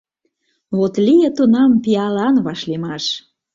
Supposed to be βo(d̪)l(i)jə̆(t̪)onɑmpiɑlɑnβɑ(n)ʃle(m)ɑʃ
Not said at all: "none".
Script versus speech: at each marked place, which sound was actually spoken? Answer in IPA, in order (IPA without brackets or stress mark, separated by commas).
t̪, i, t̪, none, m